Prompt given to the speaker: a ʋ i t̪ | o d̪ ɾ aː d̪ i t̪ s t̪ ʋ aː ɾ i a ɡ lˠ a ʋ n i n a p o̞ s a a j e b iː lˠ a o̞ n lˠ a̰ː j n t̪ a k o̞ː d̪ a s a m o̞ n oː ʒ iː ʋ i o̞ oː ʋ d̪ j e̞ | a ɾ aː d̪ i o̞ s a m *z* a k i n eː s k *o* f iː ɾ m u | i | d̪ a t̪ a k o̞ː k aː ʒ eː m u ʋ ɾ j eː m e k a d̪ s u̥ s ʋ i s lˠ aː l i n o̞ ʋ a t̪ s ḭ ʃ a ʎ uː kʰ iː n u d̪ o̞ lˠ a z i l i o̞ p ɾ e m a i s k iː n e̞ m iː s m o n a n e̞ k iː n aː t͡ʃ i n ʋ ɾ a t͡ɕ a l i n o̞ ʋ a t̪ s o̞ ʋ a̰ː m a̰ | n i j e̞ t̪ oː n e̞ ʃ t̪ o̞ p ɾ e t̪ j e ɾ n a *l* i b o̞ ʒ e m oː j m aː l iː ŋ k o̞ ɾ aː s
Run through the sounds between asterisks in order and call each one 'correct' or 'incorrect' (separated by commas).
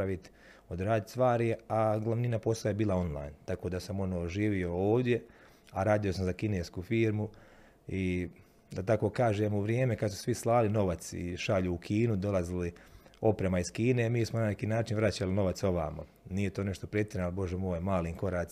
correct, incorrect, correct